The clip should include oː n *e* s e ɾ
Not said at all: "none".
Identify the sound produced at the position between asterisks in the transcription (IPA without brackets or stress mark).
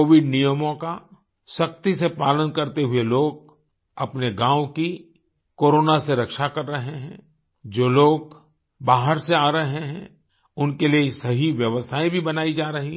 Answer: a